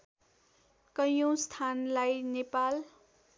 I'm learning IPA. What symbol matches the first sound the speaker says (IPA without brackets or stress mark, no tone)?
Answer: k